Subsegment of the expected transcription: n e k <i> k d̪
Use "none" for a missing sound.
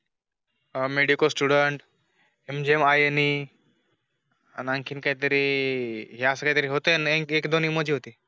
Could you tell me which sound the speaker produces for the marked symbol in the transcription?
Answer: e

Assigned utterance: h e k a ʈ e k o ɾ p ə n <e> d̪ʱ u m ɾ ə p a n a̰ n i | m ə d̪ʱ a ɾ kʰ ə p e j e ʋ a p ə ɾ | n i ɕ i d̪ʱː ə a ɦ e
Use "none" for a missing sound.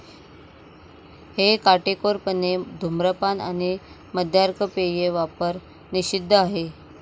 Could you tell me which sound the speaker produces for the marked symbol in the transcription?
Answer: e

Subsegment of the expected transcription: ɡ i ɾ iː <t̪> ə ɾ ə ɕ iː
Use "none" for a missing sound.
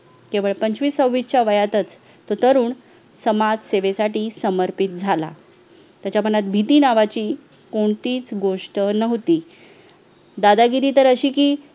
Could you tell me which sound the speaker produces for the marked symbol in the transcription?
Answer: t̪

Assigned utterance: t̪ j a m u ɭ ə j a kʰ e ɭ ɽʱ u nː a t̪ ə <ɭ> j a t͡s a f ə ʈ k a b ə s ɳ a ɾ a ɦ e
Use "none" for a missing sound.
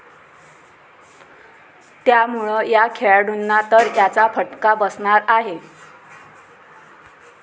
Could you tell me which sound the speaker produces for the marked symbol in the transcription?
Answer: ɾ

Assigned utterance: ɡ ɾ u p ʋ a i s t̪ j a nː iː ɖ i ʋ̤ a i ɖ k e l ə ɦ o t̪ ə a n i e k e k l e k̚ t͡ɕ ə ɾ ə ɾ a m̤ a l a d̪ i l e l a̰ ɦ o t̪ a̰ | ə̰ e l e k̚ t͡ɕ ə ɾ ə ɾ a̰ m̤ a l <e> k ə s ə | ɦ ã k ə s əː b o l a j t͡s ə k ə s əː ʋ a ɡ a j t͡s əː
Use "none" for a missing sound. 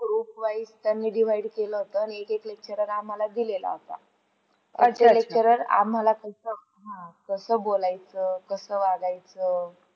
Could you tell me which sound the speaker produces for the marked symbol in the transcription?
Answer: a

